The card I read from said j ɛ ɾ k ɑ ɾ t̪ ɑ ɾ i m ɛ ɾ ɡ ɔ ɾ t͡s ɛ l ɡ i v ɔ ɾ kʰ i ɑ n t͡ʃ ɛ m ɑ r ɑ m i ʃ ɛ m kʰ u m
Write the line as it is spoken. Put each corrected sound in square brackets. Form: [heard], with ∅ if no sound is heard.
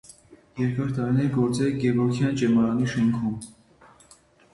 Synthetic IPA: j ɛ ɾ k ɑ ɾ t̪ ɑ ɾ i [n] ɛ ɾ ɡ ɔ ɾ t͡s ɛ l ɡ [ɛ] v ɔ ɾ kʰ [j] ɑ n t͡ʃ ɛ m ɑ [ɾ] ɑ [n] i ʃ ɛ [ŋ] kʰ u m